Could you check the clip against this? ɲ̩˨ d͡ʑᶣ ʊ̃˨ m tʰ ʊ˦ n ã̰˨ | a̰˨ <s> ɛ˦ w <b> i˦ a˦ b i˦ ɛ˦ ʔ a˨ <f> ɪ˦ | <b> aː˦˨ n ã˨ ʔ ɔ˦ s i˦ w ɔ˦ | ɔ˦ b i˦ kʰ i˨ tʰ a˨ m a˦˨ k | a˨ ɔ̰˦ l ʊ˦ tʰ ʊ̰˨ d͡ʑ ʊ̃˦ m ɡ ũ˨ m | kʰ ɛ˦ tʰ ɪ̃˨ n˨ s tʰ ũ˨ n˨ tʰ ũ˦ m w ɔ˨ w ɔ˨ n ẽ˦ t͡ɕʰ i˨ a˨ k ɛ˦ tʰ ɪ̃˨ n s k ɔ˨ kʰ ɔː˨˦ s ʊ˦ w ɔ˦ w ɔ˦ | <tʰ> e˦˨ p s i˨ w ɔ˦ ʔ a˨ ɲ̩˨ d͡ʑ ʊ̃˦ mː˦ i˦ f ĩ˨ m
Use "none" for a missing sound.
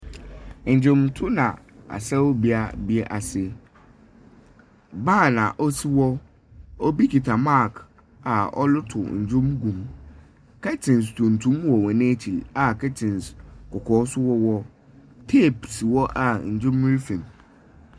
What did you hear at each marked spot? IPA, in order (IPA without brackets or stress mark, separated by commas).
s, b, s, b, tʰ